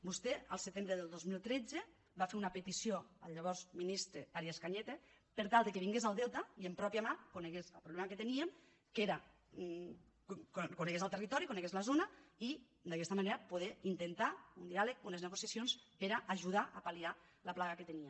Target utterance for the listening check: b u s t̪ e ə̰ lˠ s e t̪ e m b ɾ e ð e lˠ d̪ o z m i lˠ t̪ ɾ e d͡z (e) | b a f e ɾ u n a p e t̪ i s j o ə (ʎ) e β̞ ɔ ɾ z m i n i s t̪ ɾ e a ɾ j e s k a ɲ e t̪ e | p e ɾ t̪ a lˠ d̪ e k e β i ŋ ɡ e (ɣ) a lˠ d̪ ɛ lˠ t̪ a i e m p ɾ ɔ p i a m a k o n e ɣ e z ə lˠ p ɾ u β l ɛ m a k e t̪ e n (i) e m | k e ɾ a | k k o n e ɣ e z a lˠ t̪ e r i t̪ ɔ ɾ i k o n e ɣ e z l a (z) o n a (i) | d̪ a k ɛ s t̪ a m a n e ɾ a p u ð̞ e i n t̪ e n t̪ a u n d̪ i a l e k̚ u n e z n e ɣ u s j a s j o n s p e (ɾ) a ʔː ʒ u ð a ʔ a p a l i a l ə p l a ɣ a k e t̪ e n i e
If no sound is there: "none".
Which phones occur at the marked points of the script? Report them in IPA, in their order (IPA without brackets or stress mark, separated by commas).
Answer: e, ʎ, z, i, z, i, ɾ